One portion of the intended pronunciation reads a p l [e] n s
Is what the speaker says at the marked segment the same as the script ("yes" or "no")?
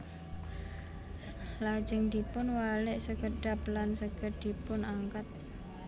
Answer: no